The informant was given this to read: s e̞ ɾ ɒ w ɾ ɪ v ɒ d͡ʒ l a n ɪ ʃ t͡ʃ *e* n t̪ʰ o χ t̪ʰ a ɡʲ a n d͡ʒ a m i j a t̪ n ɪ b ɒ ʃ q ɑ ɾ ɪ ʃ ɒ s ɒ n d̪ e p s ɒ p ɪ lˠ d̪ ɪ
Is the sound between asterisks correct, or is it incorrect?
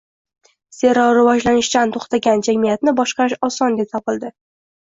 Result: incorrect